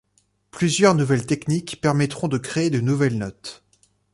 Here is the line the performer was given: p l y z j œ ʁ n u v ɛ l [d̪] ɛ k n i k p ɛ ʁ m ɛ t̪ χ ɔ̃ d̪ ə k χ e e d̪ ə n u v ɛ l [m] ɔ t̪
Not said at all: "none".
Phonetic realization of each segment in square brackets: t̪, n

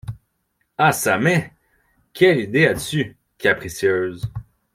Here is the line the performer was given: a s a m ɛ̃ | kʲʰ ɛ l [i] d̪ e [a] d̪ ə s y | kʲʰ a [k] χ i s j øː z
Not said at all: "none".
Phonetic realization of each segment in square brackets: i, a, p

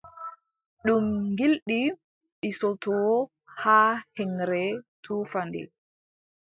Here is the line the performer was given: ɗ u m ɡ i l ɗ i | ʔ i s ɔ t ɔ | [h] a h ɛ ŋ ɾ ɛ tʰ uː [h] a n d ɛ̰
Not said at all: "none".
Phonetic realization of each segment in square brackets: h, f

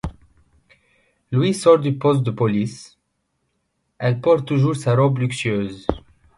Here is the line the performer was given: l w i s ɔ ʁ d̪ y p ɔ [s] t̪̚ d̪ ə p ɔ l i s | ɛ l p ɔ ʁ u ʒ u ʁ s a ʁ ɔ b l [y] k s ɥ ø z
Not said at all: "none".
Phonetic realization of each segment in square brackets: s, y

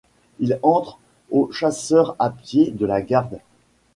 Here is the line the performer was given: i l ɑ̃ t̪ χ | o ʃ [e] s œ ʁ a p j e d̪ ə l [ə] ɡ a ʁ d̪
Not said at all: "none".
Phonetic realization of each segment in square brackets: a, a

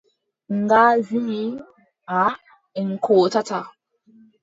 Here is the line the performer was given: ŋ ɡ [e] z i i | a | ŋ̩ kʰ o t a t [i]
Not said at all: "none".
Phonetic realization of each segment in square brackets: a, a

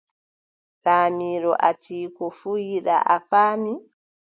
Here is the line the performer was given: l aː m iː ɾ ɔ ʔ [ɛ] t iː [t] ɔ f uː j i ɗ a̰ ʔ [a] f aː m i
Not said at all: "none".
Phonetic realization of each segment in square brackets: a, k, a

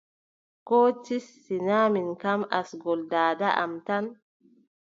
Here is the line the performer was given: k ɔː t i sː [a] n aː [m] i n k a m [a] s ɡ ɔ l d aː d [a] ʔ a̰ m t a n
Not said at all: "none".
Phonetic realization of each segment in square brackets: i, m, a, a

